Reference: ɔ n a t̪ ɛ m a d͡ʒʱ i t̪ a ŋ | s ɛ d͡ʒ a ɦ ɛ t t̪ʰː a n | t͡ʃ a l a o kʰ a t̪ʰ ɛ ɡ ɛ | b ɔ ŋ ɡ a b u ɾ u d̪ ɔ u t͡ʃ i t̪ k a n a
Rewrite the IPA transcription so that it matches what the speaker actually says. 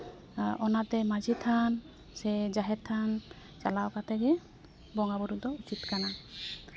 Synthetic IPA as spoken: ɔ n a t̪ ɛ m a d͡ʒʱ i t̪ʰ a n | s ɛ d͡ʒ a ɦ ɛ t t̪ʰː a n | t͡ʃ a l a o k a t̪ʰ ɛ ɡ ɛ | b ɔ ŋ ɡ a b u ɾ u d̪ ɔ u t͡ʃ i t̪ k a n a